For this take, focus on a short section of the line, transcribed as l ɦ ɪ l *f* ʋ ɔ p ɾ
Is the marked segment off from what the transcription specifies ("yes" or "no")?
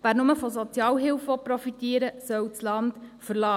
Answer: no